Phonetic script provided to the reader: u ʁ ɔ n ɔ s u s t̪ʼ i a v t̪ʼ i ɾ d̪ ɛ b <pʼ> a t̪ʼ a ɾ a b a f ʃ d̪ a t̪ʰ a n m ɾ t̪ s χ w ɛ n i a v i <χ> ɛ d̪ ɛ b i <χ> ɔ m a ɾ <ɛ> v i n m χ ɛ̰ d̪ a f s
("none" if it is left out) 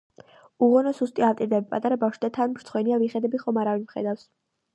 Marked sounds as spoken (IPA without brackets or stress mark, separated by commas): pʼ, χ, χ, a